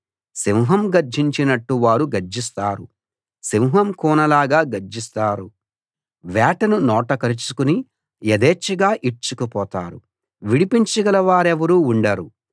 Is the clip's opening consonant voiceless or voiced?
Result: voiceless